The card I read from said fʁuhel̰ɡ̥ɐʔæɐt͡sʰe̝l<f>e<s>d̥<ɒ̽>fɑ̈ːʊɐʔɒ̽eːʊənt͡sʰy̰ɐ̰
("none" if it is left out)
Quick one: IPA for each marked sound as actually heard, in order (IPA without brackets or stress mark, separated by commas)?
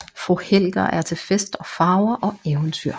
f, s, ɒ̽